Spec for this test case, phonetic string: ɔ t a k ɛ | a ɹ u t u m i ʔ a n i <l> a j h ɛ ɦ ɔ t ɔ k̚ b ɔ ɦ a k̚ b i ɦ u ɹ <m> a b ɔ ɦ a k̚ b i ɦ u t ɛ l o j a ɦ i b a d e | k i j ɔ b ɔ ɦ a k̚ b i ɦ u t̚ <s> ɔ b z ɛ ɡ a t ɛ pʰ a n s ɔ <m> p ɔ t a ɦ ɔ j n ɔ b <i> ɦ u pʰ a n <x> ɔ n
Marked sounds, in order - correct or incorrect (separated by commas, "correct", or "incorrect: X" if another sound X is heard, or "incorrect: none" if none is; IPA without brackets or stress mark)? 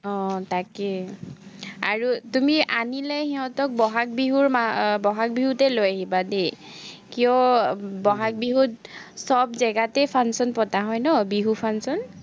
correct, correct, correct, incorrect: n, correct, incorrect: s